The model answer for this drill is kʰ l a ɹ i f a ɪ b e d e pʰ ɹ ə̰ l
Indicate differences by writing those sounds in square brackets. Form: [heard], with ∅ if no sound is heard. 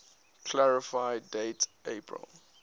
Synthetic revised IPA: kʰ l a ɹ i f a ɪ [d] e [t] e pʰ ɹ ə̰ l